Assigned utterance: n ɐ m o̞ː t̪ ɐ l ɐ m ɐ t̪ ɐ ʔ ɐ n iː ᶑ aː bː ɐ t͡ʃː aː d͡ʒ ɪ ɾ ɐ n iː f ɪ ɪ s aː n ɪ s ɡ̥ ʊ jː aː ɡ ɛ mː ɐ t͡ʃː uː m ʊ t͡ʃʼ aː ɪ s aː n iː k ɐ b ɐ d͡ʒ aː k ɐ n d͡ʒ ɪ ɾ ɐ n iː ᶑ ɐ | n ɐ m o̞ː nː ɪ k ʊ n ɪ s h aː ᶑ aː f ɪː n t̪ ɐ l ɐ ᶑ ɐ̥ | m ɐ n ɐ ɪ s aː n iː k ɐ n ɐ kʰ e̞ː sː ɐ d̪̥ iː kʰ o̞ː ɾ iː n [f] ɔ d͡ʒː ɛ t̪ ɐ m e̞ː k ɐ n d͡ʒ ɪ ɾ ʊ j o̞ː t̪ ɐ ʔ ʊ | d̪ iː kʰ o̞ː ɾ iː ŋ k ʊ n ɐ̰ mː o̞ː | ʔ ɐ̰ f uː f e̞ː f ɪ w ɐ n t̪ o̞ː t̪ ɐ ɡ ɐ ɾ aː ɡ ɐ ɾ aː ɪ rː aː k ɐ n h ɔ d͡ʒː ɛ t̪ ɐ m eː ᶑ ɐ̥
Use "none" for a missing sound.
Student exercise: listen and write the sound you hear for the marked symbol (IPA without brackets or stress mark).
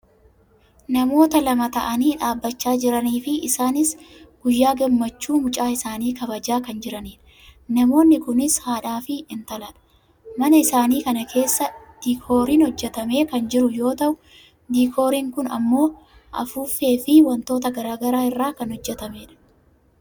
h